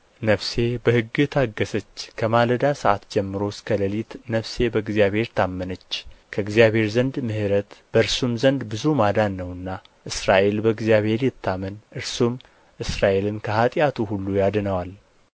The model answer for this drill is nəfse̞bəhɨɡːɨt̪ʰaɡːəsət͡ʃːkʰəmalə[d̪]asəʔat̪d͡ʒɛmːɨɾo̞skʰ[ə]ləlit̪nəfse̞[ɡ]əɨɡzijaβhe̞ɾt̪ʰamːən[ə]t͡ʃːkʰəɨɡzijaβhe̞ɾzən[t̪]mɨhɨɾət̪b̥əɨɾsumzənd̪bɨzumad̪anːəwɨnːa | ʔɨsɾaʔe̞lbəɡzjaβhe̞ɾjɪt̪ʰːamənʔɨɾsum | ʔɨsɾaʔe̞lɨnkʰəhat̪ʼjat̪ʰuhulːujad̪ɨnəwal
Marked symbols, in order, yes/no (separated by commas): yes, yes, no, yes, no